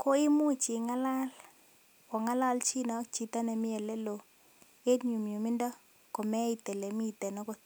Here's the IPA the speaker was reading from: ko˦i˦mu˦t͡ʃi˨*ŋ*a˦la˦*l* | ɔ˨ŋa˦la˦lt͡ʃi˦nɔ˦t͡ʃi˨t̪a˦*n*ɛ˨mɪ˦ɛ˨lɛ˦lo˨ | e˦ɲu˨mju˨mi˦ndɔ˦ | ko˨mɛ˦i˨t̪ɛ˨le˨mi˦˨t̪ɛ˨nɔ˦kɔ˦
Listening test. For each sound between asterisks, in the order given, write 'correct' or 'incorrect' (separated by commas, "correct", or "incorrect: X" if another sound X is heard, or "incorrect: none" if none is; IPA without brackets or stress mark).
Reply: correct, correct, correct